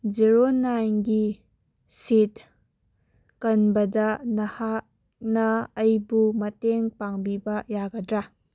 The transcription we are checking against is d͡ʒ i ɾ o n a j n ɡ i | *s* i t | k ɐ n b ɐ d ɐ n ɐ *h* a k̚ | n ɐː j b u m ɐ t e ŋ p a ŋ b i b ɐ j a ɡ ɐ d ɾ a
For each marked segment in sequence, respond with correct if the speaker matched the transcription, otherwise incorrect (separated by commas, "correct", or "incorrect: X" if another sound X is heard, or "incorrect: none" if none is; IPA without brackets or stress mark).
correct, correct